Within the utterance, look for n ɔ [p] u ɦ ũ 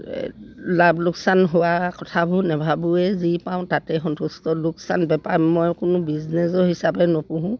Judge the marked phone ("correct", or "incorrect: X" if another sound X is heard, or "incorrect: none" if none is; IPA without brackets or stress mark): correct